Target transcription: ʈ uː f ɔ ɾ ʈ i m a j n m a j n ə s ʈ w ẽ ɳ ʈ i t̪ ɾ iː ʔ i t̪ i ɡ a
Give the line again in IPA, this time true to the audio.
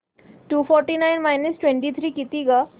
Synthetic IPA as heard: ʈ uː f ɔ ɾ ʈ i n a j n m a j n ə s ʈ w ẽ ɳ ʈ i t̪ʰ ɾ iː k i t̪ i ɡ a